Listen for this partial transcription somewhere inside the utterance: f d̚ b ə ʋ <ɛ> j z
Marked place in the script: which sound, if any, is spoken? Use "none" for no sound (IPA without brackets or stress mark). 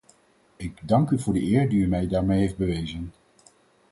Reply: e